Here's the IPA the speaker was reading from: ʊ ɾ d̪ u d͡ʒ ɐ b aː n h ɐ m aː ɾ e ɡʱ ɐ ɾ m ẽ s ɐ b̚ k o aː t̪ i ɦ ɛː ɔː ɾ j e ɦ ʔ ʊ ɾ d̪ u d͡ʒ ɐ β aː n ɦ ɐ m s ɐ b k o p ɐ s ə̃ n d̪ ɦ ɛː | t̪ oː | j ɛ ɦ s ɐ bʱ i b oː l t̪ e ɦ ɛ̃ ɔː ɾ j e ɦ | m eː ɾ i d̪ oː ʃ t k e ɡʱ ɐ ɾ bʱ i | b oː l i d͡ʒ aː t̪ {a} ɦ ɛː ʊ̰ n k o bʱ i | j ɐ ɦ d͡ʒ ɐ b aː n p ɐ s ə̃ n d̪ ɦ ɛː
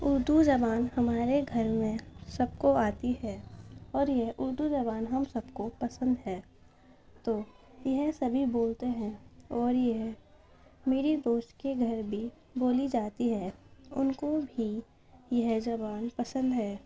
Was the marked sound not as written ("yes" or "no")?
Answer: yes